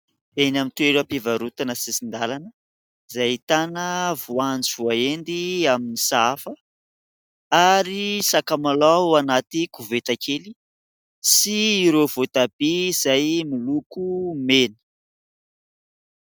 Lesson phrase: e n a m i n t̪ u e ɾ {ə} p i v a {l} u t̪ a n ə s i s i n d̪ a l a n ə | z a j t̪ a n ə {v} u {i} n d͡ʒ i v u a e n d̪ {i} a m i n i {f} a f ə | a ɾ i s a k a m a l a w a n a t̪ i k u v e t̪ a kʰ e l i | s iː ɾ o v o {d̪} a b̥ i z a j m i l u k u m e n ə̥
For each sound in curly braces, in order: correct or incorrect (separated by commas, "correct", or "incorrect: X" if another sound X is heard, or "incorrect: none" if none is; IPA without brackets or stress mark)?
incorrect: a, incorrect: ɾ, correct, incorrect: a, correct, incorrect: s, incorrect: t̪